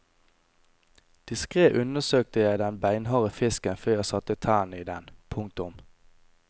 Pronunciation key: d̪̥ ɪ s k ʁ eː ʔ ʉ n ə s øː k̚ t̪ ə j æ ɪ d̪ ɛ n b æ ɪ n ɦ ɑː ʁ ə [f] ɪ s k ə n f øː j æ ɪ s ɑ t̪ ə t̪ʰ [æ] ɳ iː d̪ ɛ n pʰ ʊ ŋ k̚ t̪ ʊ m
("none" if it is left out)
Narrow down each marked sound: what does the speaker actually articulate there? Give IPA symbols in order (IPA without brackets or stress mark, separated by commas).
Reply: f, æː